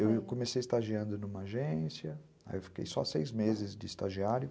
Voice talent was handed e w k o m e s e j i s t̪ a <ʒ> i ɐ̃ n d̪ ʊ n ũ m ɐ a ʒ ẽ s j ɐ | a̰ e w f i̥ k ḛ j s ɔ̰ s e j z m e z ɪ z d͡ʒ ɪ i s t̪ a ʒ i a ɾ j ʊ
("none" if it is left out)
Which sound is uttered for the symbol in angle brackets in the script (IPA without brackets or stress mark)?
ʒ